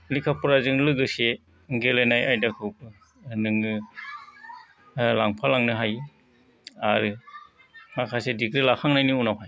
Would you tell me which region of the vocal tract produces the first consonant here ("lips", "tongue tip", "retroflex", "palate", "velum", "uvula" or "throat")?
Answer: tongue tip